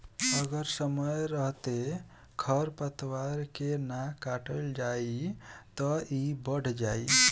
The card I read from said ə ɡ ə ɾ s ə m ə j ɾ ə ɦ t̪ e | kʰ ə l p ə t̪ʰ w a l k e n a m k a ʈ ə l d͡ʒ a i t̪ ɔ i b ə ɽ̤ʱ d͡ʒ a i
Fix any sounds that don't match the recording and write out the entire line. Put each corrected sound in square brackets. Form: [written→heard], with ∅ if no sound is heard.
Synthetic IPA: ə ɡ ə ɾ s ə m ə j ɾ ə ɦ t̪ e | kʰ ə [l→ɾ] p ə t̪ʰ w a [l→ɾ] k e n a [m→∅] k a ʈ ə l d͡ʒ a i t̪ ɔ i b ə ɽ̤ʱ d͡ʒ a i